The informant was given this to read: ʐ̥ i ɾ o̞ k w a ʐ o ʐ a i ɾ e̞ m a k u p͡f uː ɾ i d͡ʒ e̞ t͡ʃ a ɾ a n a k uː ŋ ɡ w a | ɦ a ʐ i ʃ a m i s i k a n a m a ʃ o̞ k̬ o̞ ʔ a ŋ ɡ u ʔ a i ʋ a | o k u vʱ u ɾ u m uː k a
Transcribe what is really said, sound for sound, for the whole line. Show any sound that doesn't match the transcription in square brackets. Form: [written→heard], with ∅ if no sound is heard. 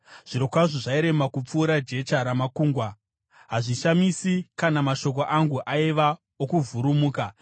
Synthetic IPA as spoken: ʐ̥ i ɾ o̞ k w a ʐ o ʐ a i ɾ e̞ m a k u p͡f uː ɾ [i→a] d͡ʒ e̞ t͡ʃ a ɾ a [n→m] a k uː ŋ ɡ w a | ɦ a ʐ i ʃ a m i s i k a n a m a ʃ o̞ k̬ o̞ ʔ a ŋ ɡ u ʔ a i ʋ a | o k u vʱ u ɾ u m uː k a